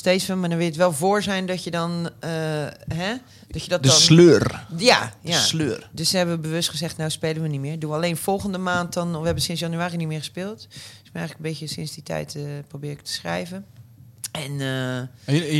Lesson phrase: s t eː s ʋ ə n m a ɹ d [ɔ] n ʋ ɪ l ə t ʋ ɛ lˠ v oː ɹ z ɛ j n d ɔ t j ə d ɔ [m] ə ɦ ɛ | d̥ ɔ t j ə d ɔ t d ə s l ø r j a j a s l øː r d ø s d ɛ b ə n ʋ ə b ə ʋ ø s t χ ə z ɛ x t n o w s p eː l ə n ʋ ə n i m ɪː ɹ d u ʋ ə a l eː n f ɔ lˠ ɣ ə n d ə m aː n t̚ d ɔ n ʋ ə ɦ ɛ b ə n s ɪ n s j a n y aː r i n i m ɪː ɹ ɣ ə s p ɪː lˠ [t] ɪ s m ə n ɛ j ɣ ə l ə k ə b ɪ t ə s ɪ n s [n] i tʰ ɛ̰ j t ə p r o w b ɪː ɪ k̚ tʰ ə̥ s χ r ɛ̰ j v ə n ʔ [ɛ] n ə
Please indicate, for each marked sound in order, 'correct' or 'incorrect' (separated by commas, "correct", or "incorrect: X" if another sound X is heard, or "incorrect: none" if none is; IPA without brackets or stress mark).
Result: correct, incorrect: n, correct, incorrect: d, correct